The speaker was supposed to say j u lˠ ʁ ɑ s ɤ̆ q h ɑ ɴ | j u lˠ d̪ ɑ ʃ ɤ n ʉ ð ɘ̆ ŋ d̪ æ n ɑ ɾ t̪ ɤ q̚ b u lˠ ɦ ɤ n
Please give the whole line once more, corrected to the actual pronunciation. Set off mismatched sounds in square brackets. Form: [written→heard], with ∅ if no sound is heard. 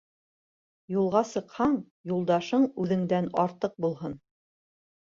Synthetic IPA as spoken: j u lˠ ʁ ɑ s ɤ̆ q h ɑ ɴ | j u lˠ d̪ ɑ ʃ ɤ [n→ɴ] ʉ ð ɘ̆ ŋ d̪ æ n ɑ ɾ t̪ ɤ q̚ b u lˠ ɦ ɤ n